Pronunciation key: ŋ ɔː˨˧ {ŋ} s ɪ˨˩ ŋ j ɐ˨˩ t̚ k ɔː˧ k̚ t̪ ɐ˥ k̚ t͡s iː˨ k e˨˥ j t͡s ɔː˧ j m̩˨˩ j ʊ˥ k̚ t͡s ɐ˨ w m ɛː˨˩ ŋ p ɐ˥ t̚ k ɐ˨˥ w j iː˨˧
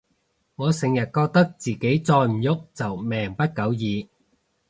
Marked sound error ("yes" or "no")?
yes